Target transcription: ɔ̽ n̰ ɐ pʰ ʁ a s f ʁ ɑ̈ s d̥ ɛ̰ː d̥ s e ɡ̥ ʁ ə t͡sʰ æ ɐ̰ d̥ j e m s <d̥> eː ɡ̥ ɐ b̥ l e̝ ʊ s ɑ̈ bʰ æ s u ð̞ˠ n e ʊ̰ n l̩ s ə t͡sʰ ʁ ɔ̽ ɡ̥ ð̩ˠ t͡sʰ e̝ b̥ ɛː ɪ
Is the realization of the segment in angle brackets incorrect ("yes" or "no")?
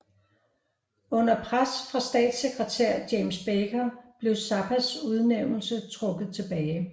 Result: yes